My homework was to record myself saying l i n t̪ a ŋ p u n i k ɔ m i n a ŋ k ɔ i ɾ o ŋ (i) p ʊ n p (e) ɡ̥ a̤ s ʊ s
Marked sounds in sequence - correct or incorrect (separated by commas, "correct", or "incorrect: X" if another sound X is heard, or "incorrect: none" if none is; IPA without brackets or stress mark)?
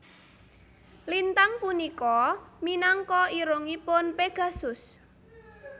correct, correct